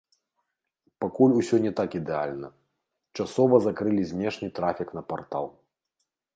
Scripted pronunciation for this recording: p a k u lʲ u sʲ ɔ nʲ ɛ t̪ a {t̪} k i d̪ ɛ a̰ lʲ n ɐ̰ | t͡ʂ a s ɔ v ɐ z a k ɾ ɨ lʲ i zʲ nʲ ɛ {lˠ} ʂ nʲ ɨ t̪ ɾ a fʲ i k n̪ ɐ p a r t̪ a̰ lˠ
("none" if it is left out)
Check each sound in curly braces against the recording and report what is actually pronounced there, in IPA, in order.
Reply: none, none

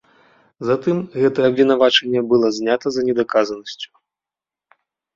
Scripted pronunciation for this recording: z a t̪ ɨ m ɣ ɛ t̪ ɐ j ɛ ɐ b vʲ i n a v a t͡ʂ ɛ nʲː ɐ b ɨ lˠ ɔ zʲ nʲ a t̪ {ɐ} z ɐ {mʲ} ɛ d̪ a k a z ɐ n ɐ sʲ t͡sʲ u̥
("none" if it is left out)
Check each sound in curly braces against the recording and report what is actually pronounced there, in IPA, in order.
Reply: ɐ, nʲ

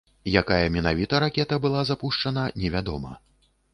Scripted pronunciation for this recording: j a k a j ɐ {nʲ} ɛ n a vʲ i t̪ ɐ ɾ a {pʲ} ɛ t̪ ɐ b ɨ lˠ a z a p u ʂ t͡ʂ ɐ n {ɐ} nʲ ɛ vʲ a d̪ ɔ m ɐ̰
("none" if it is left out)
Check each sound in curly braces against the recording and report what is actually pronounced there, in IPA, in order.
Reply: mʲ, kʲ, ɐ

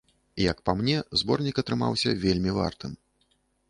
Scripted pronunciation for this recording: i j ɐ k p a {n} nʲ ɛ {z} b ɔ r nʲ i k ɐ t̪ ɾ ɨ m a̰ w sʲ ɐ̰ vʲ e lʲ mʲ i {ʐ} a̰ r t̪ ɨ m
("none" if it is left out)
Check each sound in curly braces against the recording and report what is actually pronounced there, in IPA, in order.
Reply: m, z, v

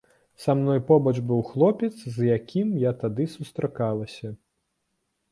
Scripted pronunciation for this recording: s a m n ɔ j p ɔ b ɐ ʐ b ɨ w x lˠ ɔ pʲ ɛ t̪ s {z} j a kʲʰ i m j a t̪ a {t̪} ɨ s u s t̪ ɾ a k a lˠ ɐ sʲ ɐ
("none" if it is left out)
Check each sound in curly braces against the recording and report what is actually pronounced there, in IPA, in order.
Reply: z, d̪

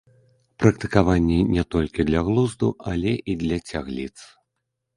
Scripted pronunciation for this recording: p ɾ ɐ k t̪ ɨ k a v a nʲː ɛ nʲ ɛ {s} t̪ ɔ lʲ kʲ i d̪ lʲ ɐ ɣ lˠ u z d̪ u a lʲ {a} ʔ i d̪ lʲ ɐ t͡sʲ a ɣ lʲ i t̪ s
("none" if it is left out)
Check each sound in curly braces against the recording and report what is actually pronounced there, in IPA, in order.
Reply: none, ɛ

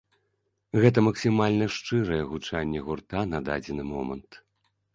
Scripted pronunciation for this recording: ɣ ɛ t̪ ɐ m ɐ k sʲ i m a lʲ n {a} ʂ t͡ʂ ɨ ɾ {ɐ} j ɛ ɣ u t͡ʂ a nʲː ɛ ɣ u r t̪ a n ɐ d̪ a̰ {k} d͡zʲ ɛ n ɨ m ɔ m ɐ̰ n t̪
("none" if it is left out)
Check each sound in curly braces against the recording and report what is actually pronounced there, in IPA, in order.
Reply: ɐ, ɐ, none

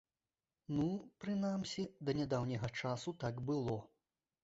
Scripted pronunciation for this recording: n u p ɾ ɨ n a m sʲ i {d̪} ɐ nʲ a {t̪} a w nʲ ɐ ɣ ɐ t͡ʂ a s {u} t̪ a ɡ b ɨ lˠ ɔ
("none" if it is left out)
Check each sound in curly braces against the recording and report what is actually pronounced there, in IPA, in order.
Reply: d̪, d̪, u

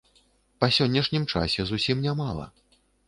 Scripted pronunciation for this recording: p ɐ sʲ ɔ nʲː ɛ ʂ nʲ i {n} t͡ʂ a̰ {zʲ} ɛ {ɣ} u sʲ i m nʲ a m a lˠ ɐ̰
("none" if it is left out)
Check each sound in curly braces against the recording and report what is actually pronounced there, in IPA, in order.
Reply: m, sʲ, z

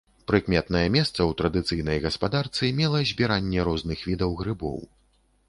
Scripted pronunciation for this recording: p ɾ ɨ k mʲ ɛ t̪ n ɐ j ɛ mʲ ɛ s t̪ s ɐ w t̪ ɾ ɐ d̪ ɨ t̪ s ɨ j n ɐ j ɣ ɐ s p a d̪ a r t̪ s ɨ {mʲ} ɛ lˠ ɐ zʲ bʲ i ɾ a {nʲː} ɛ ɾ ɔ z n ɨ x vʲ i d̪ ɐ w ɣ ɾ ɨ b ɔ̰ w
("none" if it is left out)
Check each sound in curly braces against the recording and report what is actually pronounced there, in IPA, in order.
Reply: mʲ, nʲː

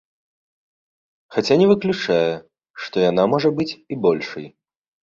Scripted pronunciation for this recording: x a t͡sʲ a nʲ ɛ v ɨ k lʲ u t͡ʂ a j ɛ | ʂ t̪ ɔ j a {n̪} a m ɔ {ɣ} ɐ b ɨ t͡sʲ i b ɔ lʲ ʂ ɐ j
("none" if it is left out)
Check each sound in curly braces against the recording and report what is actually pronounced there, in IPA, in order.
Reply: n̪, ʐ

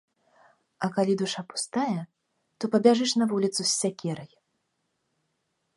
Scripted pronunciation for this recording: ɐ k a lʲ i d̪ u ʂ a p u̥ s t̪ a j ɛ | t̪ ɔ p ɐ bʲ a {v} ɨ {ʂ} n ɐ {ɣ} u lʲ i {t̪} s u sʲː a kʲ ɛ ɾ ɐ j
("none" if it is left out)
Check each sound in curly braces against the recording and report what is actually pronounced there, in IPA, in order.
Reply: ʐ, ʂ, v, t̪

